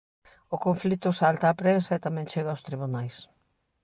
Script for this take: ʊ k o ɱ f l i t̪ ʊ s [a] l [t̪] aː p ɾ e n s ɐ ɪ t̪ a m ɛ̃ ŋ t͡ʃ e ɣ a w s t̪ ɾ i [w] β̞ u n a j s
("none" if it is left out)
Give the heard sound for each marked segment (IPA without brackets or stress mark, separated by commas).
a, t̪, none